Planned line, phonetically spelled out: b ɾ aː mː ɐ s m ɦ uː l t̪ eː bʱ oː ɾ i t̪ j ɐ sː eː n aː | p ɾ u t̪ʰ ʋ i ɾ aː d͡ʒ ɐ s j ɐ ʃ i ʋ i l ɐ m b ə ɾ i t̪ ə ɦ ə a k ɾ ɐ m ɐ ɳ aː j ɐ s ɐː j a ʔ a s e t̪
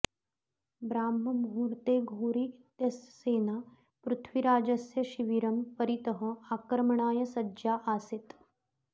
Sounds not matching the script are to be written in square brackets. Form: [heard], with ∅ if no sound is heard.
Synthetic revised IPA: b ɾ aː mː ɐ [∅] m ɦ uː [ɾ] t̪ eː [ɡʱ] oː ɾ i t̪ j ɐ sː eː n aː | p ɾ u t̪ʰ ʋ i ɾ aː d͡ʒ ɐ s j ɐ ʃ i ʋ i [ɾ] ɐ m [p] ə ɾ i t̪ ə ɦ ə a k ɾ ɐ m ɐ ɳ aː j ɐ s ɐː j a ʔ a s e t̪